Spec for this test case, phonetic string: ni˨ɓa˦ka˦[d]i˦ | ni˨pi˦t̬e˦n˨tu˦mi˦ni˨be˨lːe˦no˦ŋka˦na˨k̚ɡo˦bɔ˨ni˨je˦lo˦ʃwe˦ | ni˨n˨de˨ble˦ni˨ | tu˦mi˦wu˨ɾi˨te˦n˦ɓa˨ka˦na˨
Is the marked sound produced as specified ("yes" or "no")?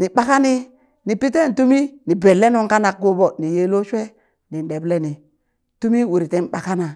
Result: no